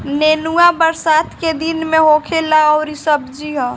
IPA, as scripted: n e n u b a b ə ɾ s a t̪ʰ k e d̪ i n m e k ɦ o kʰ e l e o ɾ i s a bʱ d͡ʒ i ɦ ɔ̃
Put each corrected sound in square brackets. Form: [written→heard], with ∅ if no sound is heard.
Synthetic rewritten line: n e n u [b→∅] a b ə ɾ s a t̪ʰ k e d̪ i n m e [k→∅] ɦ o kʰ e l [e→a] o ɾ i s [a→ə] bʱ d͡ʒ i ɦ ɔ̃